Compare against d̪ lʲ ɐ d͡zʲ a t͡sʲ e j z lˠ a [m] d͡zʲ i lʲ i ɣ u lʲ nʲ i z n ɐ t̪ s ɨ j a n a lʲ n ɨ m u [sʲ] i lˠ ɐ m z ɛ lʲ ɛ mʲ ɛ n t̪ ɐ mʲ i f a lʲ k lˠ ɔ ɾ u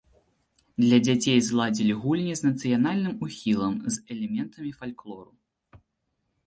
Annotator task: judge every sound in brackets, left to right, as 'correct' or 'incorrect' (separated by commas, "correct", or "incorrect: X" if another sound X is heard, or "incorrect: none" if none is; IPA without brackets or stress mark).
incorrect: none, incorrect: xʲ